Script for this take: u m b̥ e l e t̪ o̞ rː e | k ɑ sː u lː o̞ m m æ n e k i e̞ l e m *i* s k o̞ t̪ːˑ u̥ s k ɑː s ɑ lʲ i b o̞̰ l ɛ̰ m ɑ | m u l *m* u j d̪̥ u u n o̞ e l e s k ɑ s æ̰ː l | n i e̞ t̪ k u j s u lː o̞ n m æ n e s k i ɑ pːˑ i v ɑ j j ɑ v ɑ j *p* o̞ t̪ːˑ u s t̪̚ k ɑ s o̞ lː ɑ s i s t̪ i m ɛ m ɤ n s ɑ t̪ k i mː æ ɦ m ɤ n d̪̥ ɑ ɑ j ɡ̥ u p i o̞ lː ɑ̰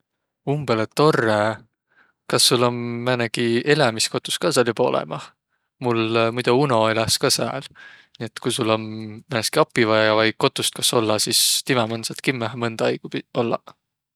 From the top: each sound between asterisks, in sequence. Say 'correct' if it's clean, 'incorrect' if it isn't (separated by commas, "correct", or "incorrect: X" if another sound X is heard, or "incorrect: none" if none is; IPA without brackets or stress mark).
correct, correct, incorrect: k